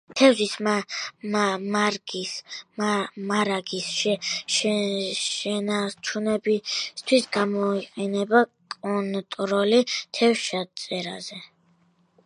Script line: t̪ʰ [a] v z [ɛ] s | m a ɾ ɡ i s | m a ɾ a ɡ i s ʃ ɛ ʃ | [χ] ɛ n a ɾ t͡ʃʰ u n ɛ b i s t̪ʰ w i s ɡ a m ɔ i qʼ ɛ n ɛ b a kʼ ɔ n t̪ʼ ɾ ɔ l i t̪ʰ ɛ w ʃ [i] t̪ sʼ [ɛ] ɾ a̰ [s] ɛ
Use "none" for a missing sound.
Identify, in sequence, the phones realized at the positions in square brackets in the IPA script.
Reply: ɛ, i, ʃ, a, ɛ, z

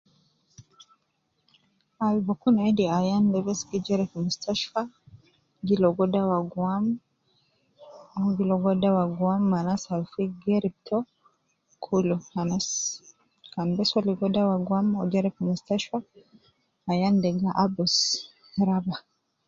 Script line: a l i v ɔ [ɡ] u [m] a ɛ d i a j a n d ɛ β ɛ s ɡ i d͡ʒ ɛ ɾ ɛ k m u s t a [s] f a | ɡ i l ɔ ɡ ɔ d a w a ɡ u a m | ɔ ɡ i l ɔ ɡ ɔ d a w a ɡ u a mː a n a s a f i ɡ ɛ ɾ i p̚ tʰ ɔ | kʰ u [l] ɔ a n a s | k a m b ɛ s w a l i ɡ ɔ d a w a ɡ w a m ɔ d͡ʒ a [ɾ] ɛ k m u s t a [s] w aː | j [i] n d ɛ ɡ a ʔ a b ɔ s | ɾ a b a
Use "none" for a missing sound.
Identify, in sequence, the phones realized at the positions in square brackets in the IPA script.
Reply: k, n, ʃ, l, ɾ, ʃ, a

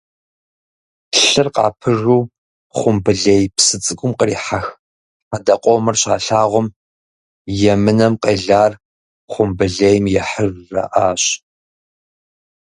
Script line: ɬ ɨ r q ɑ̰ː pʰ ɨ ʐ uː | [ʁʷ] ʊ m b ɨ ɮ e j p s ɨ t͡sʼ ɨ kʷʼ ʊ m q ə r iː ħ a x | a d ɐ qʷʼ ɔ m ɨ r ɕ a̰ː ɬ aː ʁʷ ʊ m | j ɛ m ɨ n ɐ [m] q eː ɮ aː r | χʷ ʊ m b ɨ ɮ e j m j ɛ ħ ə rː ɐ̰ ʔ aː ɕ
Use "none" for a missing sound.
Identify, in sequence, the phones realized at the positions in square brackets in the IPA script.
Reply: χʷ, m

